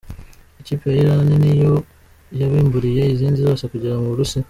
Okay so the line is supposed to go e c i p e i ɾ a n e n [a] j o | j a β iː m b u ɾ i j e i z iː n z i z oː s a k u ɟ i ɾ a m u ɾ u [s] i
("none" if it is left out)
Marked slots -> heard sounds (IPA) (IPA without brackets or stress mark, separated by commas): i, s